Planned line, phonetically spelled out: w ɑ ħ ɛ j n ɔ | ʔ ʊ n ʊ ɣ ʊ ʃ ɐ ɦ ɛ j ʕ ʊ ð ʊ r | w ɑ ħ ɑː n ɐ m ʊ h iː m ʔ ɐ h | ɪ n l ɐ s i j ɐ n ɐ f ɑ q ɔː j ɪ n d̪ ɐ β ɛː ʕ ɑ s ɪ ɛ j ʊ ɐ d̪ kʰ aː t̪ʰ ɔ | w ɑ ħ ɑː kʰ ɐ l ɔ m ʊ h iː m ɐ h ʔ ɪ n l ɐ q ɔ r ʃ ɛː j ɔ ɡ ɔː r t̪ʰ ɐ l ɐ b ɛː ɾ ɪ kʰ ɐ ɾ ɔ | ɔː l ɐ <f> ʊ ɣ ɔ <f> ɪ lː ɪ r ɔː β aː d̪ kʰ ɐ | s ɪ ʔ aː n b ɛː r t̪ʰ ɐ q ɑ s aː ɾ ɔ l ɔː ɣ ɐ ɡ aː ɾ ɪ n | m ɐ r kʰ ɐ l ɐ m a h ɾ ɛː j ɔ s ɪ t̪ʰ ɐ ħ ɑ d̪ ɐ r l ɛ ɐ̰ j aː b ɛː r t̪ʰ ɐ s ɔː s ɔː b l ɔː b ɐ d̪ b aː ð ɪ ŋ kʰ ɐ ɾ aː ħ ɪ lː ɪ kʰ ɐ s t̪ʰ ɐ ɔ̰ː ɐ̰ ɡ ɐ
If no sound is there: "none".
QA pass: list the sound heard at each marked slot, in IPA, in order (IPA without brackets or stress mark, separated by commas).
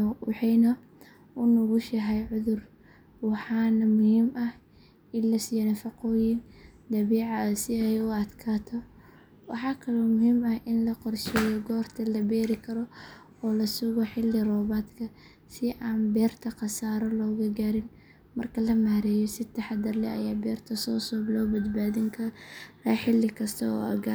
s, ħ